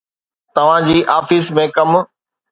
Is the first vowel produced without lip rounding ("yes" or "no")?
yes